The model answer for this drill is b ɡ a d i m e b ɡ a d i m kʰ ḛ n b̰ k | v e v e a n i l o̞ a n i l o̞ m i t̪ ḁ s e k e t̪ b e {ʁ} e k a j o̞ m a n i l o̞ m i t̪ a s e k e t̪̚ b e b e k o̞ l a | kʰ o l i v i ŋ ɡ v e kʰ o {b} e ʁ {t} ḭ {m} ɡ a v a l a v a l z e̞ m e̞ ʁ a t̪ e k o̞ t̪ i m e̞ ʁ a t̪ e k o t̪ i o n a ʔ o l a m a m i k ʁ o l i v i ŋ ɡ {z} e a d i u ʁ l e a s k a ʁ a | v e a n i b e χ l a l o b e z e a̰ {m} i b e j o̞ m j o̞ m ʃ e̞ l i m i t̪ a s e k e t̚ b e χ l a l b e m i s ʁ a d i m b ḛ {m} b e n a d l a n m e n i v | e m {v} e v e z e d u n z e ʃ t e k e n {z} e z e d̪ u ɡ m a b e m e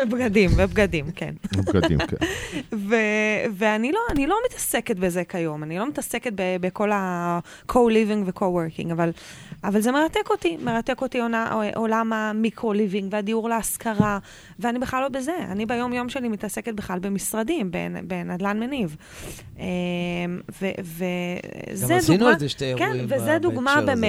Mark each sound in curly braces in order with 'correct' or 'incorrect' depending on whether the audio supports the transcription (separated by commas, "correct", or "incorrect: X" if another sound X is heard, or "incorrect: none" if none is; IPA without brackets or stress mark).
incorrect: z, incorrect: w, incorrect: k, incorrect: ŋ, incorrect: v, incorrect: n, incorrect: n, correct, incorrect: v